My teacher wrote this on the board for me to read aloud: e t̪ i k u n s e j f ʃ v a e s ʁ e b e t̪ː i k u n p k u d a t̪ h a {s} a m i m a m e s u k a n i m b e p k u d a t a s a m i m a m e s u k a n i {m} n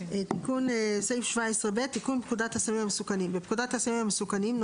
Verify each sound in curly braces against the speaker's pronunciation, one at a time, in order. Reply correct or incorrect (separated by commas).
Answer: correct, correct